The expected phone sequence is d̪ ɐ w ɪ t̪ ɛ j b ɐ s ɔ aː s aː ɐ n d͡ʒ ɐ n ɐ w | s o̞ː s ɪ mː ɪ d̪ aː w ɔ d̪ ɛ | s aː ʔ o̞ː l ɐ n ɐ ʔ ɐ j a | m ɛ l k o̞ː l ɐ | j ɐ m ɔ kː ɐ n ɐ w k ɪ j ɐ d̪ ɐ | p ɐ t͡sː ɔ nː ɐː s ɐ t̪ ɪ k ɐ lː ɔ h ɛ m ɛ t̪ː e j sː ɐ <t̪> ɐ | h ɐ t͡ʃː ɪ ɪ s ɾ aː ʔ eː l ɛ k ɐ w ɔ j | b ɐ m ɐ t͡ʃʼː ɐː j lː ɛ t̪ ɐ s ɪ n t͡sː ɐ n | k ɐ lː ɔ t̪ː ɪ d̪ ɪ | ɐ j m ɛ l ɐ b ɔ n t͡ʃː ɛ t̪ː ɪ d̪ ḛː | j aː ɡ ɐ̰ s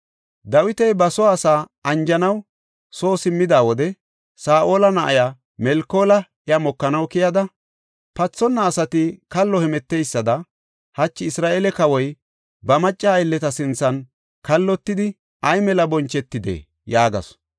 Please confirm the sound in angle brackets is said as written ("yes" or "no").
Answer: no